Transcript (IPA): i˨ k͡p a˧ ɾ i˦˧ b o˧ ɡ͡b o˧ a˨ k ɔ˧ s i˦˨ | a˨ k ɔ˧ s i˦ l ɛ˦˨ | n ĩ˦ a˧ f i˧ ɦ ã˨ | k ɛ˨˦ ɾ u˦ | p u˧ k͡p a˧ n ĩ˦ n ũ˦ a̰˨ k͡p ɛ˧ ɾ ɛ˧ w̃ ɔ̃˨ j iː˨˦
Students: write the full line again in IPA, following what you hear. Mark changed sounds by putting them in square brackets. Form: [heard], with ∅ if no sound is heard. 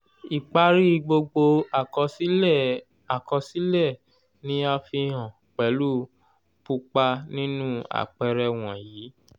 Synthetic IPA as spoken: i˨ k͡p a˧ ɾ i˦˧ [ɡ͡b] o˧ ɡ͡b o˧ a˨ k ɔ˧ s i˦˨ | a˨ k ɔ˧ s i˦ l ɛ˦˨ | n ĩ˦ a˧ f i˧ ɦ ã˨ | [k͡p] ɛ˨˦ [l] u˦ | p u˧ k͡p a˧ n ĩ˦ n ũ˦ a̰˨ k͡p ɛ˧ ɾ ɛ˧ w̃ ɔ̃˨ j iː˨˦